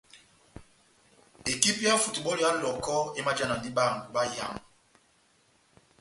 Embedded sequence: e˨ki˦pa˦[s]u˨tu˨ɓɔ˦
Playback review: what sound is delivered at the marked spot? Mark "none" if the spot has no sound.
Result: f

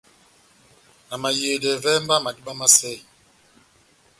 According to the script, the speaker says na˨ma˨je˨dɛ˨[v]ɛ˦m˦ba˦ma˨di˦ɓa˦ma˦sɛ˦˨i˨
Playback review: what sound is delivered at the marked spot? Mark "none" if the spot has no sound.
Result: v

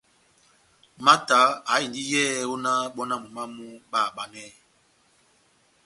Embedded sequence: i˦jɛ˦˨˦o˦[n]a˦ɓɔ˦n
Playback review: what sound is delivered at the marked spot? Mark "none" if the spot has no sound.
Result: n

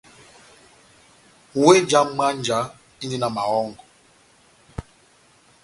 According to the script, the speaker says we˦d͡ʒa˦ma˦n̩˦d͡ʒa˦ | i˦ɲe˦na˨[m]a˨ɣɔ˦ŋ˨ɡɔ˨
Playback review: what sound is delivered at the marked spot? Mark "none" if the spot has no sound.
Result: m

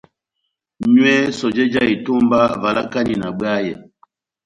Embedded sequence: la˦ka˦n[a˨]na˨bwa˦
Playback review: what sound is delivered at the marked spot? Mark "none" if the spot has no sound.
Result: i˨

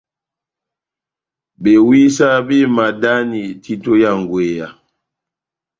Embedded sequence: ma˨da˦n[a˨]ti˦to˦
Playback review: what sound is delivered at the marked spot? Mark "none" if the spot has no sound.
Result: i˨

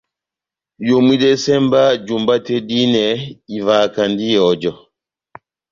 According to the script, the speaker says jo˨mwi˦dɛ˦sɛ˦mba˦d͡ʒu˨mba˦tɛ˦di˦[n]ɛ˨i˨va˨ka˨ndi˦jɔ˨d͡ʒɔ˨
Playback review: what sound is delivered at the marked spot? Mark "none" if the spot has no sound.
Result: n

